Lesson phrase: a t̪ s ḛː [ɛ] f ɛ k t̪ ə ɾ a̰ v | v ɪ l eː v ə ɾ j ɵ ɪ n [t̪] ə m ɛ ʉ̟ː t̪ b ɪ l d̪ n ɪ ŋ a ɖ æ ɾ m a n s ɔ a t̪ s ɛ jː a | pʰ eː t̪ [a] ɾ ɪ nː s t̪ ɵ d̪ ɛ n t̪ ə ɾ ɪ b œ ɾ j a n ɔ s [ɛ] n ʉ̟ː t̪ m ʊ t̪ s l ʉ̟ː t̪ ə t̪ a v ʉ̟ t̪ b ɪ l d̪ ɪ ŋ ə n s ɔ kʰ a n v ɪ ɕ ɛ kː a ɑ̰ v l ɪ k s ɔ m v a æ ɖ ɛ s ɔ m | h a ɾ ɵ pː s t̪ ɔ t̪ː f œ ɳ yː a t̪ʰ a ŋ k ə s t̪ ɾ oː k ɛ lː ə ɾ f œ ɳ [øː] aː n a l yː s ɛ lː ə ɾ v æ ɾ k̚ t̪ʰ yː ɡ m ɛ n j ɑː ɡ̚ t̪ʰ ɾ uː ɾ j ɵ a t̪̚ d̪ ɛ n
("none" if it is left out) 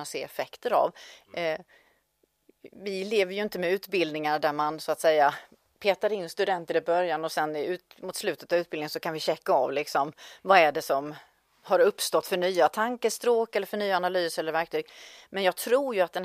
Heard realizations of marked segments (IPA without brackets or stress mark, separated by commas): ɛ, t̪, a, ɛ, yː